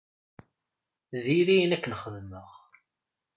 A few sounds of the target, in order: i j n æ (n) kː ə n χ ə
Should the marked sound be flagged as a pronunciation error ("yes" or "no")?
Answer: yes